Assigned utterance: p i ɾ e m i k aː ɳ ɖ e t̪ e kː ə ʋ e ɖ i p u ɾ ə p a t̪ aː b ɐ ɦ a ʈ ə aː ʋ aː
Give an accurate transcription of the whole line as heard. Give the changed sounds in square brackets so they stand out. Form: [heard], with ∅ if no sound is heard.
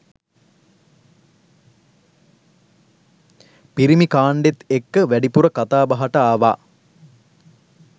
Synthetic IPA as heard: p i ɾ [i] m i k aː ɳ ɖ e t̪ e kː ə ʋ [æ] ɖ i p u ɾ ə [k] a t̪ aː b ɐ ɦ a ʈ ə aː ʋ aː